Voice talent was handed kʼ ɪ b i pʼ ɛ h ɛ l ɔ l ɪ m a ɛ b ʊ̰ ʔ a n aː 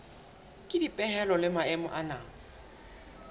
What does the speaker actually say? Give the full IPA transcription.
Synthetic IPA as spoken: kʼ ɪ d i pʼ ɛ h ɛ l ɔ l ɪ m a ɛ m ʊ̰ ʔ a n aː